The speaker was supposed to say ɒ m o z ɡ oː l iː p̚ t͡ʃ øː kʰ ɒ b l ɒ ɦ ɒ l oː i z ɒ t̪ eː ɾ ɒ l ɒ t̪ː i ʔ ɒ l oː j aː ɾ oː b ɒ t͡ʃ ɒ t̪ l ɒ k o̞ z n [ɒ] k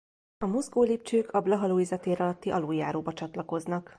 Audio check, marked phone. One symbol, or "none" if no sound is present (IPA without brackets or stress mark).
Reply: ɒ